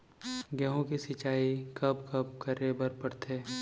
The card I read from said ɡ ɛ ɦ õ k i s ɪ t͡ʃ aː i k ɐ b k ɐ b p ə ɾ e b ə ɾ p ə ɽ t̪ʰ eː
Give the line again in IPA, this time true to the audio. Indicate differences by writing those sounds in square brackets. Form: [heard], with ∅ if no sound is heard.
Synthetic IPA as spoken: ɡ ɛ ɦ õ k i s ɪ t͡ʃ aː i k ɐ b k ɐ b [k] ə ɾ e b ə ɾ p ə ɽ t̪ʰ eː

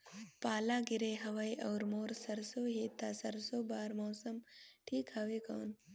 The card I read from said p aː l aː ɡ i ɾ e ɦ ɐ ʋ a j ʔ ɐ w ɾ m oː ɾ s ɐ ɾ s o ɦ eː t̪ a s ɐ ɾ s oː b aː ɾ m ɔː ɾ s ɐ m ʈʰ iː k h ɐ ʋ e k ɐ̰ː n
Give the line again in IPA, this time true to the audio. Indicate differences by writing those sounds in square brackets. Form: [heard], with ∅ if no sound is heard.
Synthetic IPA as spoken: p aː l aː ɡ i ɾ e ɦ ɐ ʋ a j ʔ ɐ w ɾ m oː ɾ s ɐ ɾ s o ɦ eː t̪ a s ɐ ɾ s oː b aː ɾ m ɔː [∅] s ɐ m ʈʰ iː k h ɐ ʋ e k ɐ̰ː n

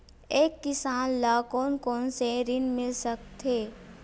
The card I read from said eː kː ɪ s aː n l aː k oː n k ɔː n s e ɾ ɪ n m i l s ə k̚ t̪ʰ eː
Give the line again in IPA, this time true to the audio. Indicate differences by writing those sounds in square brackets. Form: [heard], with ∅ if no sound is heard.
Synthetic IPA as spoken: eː kː ɪ s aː n l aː k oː n k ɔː n s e ɾ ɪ n m [ɪ] l s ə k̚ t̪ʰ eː

